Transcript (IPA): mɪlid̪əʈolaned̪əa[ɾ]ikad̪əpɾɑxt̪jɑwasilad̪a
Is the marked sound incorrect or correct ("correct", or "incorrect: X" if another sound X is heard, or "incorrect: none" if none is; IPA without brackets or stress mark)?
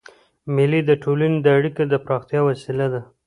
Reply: incorrect: ɽ